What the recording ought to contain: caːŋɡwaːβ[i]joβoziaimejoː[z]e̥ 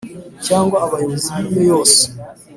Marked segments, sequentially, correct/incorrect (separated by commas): incorrect, incorrect